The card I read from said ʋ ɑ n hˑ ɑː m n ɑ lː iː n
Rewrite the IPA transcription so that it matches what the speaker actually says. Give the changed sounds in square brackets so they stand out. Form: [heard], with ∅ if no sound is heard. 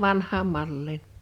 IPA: ʋ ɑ n hˑ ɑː m [m] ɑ lː iː n

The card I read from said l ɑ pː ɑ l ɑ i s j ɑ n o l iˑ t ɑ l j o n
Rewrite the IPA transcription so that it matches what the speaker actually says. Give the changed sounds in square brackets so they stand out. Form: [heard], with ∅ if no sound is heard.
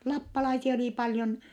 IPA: l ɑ pː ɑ l ɑ i s [i] ɑ [∅] o l iˑ [p] ɑ l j o n

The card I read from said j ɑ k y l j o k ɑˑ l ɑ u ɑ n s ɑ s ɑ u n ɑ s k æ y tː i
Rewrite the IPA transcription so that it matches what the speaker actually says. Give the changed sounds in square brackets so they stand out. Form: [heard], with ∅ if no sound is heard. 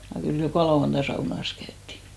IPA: j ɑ k y l j o k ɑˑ l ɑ u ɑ n [t] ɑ s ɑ u n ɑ s k æ y tː i

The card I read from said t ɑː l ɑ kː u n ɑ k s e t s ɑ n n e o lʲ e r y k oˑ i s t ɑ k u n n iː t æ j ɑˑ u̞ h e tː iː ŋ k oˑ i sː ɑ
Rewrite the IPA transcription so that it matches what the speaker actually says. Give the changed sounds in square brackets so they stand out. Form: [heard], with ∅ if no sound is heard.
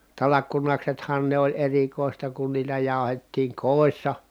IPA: t [ɑ] l ɑ kː u n ɑ k s e t [h] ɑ n n e o lʲ e r [i] k oˑ i s t ɑ k u n n iː t æ j ɑˑ u̞ h e tː iː ŋ k oˑ i sː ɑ

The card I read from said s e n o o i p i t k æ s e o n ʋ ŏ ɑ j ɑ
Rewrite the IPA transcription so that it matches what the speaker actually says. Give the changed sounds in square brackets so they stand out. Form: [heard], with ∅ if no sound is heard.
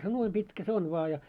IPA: s e n [u] o i p i t k æ s e o n ʋ ŏ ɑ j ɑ

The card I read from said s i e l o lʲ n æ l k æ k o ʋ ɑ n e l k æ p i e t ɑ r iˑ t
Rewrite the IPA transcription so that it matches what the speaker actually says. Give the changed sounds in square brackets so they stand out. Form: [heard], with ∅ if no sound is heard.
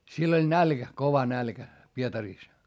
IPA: s i e [lː] o lʲ n æ l k æ k o ʋ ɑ n [æ] l k æ p i e t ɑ r iˑ [s]

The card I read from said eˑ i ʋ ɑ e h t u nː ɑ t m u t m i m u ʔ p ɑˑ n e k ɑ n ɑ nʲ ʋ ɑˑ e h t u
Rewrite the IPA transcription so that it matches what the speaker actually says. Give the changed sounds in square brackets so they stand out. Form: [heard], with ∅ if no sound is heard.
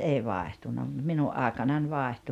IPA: eˑ i ʋ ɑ e h t u nː ɑ [∅] m u t m i [n] u ʔ [ʔ] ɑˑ [∅] e k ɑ n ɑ nʲ ʋ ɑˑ e h t u

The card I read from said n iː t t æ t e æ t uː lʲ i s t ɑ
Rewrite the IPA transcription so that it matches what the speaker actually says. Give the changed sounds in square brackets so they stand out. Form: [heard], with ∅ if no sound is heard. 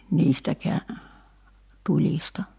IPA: n iː [s] t æ [k] e æ t [u] lʲ i s t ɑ

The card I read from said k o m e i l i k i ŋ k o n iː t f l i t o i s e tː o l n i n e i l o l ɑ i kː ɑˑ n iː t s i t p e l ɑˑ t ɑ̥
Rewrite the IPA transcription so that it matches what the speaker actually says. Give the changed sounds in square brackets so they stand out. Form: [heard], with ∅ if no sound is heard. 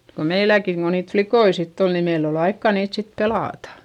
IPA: k o m e i l [æ] k i ŋ k o n iː t f l i [k] o i s [i] tː o l n i [m] e i l o l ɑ i kː ɑˑ n iː t s i t p e l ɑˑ t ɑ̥

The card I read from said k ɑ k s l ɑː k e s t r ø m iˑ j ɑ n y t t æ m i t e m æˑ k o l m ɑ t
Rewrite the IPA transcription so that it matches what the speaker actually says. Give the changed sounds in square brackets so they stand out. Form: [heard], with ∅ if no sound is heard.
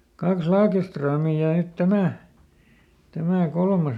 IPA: k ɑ k s l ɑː k e s t r ø m iˑ j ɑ n y t t æ m [æ] t [æ] m æˑ k o l m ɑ [s]

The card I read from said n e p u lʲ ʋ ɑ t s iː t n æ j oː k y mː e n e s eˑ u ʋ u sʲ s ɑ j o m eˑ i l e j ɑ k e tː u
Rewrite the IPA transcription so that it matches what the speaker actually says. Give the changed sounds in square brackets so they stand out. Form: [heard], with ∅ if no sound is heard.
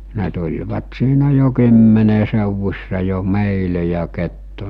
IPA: n e [t] u lʲ ʋ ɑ t s iː [∅] n æ j [o] k y mː e n e s eˑ u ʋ u sʲ s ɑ j o m eˑ i l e j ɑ k e tː u

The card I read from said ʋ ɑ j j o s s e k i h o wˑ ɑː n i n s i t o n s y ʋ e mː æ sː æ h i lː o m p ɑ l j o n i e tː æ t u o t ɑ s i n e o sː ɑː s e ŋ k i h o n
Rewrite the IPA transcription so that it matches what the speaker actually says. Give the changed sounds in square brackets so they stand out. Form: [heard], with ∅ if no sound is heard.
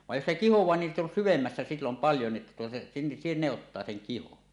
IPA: ʋ ɑ j j o s s e k i h o wˑ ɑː n i n s i t o n s y ʋ e mː æ sː æ [s] i lː o m p ɑ l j o n i e tː æ t u o t ɑ s i n e o [tː] ɑː s e ŋ k i h o n

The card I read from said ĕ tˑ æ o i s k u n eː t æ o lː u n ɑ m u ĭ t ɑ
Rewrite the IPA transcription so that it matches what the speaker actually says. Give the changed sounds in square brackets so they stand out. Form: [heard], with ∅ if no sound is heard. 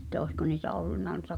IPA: ĕ tˑ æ o i s k [o] n [iː] t æ o lː u [nː] ɑ [n] u ĭ t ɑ

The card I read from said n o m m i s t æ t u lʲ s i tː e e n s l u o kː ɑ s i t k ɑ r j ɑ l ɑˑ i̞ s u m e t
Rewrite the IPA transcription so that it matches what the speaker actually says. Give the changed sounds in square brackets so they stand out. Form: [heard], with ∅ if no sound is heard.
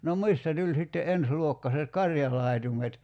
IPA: n o m m i s t æ t u lʲ s i tː e e n s l u o kː ɑ s [e] t k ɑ r j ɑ l ɑˑ i̞ [t] u m e t

